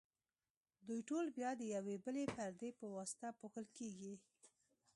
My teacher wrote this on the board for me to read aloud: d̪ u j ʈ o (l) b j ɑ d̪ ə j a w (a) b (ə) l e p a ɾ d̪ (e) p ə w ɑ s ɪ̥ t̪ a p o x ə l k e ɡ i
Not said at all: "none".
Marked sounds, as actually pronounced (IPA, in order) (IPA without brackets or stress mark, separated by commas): l, e, ə, e